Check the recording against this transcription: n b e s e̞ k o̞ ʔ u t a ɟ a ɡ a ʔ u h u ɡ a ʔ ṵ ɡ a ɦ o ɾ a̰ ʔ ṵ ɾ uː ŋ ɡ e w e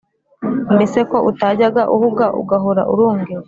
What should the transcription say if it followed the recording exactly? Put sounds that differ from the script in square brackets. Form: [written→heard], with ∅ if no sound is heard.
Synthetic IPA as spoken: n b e s e̞ k o̞ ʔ u t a ɟ a ɡ a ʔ u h u ɡ a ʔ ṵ ɡ a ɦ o ɾ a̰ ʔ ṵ ɾ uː ŋ ɡ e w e